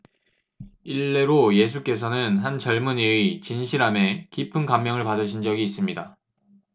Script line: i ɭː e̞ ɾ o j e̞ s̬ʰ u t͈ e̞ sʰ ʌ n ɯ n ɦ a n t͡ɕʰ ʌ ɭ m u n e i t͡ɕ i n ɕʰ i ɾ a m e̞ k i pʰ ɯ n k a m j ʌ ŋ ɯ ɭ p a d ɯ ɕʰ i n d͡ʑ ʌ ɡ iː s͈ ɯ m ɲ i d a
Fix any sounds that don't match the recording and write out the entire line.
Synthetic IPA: i ɭː e̞ ɾ o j e̞ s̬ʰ u k͈ e̞ sʰ ʌ n ɯ n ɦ a n t͡ɕ ʌ ɭ m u n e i t͡ɕ i n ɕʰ i ɾ a m e̞ k i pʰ ɯ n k a m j ʌ ŋ ɯ ɭ p a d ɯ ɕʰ i n d͡ʑ ʌ ɡ iː s͈ ɯ m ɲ i d a